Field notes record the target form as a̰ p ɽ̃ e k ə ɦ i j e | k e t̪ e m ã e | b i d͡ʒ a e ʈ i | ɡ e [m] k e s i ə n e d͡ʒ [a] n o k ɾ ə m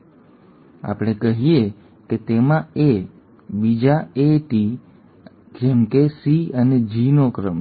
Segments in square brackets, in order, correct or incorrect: correct, incorrect

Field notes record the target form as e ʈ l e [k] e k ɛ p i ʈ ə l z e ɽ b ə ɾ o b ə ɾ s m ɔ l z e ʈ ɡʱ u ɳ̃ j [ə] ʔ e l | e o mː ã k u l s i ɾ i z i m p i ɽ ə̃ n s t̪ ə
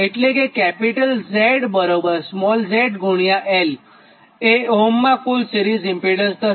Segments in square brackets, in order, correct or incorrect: correct, incorrect

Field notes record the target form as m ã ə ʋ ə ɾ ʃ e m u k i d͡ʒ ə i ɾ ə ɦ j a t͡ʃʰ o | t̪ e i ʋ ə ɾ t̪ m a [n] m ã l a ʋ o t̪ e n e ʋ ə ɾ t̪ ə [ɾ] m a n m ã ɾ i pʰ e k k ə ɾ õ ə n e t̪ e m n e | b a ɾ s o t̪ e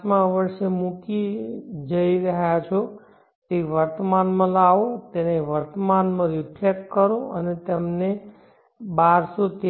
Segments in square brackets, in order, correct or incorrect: correct, incorrect

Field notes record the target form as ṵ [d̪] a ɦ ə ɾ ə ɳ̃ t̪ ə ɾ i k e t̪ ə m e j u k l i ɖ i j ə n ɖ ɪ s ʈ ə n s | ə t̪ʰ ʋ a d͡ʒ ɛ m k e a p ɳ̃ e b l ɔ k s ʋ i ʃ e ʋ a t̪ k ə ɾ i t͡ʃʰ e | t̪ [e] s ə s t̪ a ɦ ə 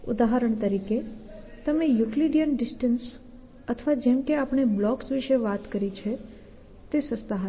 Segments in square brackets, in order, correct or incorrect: correct, correct

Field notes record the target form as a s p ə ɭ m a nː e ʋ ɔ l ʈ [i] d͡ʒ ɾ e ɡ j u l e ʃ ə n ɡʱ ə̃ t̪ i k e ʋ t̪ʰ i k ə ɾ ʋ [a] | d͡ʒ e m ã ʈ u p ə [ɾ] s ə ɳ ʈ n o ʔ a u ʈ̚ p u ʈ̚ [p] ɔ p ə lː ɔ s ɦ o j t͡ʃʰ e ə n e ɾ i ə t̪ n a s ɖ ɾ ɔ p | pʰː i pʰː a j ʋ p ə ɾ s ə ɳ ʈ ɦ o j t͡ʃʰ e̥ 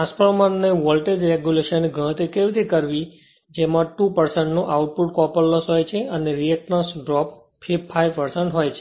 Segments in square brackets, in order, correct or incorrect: incorrect, incorrect, correct, incorrect

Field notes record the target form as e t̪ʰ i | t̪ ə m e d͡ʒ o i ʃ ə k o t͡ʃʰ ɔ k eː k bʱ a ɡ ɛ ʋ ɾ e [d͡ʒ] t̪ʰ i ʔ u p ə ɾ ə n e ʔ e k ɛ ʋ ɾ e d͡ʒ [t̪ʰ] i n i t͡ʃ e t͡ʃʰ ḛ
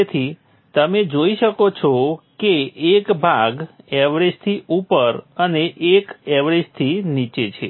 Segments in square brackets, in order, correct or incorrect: correct, correct

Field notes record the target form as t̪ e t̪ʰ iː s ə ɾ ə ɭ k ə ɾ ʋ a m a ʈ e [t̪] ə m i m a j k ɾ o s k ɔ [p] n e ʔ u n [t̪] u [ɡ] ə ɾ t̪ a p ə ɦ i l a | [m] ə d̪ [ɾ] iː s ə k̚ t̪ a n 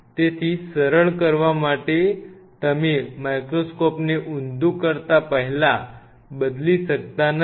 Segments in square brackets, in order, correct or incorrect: correct, correct, incorrect, incorrect, incorrect, incorrect

